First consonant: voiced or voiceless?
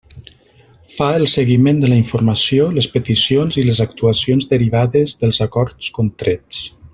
voiceless